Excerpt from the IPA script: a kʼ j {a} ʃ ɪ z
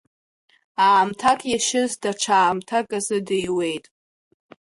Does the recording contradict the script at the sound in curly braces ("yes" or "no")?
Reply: no